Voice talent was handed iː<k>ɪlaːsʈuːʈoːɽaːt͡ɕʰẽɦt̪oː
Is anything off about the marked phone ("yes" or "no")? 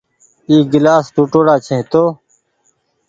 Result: yes